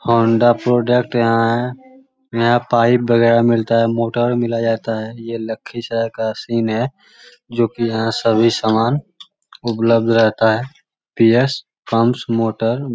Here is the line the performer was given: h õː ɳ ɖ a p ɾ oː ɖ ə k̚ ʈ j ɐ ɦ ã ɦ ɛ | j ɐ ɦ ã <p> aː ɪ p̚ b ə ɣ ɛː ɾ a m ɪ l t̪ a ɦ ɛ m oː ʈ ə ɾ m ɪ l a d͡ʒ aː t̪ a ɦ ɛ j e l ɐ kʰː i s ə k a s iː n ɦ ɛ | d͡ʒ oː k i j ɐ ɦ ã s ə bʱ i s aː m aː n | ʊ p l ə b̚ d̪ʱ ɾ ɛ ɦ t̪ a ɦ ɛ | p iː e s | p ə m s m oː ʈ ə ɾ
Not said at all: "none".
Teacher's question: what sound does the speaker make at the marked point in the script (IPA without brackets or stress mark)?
p